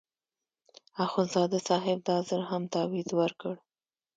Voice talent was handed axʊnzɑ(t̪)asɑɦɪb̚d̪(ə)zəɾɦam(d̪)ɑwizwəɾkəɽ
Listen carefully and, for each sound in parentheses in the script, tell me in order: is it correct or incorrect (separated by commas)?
incorrect, incorrect, incorrect